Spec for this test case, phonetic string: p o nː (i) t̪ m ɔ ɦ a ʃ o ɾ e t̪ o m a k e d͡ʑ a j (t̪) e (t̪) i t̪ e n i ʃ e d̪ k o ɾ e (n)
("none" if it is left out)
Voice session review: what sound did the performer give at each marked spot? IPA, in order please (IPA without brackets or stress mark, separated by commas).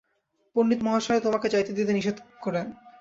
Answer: i, t̪, d̪, n